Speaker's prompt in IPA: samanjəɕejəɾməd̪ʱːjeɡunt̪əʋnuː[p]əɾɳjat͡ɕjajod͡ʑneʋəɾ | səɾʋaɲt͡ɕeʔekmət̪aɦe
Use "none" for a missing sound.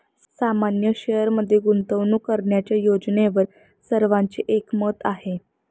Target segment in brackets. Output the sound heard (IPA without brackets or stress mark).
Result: k